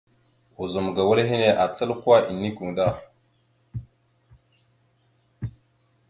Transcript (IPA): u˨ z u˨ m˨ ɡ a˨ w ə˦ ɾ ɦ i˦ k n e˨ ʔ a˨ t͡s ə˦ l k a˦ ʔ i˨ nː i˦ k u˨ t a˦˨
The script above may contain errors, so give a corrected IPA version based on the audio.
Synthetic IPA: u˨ z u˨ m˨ ɡ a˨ w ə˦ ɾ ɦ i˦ n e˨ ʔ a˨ t͡s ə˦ l k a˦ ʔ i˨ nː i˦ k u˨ d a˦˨